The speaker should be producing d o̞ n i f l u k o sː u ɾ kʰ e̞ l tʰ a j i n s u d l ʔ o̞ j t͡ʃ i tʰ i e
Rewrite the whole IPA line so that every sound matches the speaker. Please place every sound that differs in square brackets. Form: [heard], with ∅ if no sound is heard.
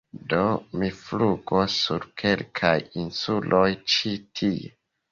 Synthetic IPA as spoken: d o̞ [m] i f l u [ɡ] o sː u ɾ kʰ e̞ l [kʰ] a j i n s u [∅] l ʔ o̞ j t͡ʃ i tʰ i e